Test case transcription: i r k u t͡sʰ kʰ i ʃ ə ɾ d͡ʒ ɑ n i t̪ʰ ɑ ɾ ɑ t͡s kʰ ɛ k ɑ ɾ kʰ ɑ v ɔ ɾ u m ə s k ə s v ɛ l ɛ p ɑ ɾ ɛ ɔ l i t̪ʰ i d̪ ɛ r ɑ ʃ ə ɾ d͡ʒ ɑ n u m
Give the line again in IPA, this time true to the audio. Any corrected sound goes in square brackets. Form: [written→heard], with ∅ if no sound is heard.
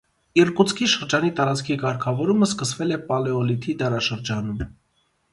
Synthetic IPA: i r k u t͡sʰ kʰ i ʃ ə ɾ d͡ʒ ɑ n i [t̪ʰ→t̪] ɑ ɾ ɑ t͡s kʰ [ɛ→i] k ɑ ɾ kʰ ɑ v ɔ ɾ u m ə s k ə s v ɛ l ɛ p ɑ [ɾ→l] ɛ ɔ l i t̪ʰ i d̪ ɛ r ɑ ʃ ə ɾ d͡ʒ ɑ n u m